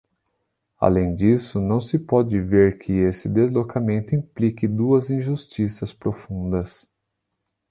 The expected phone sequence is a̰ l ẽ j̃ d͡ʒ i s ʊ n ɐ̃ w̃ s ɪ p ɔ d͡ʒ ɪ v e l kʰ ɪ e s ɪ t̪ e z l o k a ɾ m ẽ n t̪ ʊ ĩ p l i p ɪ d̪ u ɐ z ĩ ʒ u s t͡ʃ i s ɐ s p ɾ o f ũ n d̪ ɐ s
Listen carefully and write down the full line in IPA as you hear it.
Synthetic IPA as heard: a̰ l ẽ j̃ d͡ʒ i s ʊ n ɐ̃ w̃ s ɪ p ɔ d͡ʒ ɪ v e ɾ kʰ ɪ e s ɪ d̪ e z l o k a m ẽ n t̪ ʊ ĩ p l i k ɪ d̪ u ɐ z ĩ ʒ u s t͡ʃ i s ɐ s p ɾ o f ũ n d̪ ɐ s